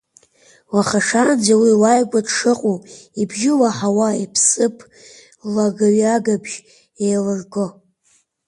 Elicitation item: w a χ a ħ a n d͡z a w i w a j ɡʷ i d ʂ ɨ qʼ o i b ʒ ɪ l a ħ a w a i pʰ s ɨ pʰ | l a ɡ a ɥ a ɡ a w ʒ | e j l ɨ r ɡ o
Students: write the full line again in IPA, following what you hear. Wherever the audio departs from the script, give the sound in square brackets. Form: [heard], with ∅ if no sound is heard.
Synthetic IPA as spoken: w a χ a [ʂ] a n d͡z a w i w a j ɡʷ [a] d ʂ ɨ qʼ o i b ʒ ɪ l a ħ a w a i pʰ s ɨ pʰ | l a ɡ a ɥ a ɡ a [b] ʒ | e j l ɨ r ɡ o